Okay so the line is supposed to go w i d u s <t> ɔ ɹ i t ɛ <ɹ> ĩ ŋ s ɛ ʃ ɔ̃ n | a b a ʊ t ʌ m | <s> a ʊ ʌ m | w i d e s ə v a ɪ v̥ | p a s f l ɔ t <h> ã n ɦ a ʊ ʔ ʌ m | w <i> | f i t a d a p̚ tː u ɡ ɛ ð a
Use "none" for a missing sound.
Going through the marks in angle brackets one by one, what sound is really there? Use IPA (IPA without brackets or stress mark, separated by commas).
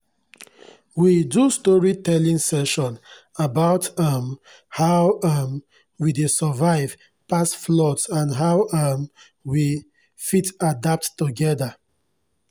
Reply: t, l, h, s, i